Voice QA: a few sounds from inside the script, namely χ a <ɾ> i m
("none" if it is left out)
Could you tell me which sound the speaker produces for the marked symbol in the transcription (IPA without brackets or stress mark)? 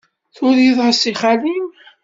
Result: l